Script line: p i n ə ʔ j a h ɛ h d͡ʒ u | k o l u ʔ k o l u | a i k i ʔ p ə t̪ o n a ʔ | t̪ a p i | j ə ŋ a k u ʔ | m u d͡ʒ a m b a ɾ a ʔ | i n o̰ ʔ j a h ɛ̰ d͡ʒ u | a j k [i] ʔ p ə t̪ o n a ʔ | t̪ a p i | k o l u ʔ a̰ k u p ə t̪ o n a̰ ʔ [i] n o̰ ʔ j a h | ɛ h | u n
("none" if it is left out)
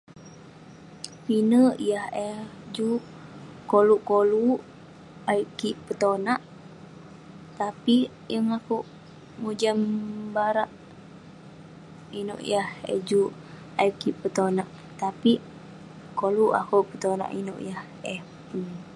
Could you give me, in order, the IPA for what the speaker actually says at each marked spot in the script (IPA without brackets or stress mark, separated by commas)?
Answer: i, i